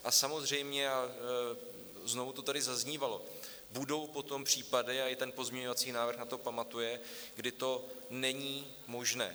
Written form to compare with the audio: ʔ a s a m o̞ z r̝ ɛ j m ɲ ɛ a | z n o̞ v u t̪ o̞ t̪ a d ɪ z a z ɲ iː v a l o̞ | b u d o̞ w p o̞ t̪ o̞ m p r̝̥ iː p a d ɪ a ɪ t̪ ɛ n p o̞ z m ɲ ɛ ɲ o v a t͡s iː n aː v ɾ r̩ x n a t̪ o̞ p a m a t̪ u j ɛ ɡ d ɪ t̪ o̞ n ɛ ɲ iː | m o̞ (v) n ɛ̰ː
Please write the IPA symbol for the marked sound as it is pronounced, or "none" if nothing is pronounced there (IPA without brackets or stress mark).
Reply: ʒ